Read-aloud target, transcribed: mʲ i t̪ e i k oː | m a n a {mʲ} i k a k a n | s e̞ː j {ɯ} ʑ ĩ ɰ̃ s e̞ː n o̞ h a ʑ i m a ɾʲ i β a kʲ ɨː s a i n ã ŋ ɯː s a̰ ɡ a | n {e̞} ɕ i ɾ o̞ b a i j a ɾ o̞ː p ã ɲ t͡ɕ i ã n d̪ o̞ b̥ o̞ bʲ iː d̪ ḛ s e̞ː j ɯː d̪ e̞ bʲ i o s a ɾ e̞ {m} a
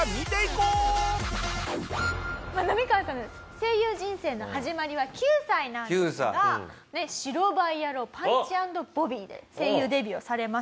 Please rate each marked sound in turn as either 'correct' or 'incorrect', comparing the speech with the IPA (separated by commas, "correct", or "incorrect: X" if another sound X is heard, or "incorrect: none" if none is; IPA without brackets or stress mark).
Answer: correct, incorrect: ɯː, correct, correct